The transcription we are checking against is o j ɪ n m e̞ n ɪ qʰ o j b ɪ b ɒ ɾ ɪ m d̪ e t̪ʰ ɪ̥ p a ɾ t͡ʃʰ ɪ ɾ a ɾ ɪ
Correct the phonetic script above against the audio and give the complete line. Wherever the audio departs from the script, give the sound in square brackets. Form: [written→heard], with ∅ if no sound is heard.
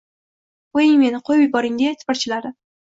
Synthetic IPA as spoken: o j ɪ [n→ŋ] m e̞ n ɪ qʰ o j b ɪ b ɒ ɾ ɪ [m→ŋ] d̪ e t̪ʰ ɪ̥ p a ɾ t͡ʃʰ ɪ [ɾ→l] a ɾ ɪ